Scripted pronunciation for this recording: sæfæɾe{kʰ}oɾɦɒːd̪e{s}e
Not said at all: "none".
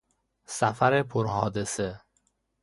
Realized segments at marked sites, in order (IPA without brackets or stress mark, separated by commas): pʰ, s